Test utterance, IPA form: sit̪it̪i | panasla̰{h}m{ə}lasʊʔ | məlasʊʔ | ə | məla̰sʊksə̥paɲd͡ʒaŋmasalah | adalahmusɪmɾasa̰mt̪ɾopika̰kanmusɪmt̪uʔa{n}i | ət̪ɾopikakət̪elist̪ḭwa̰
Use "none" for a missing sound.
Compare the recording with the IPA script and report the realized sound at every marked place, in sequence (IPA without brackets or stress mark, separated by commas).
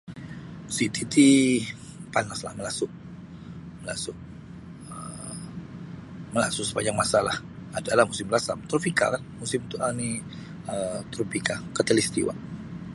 h, ə, n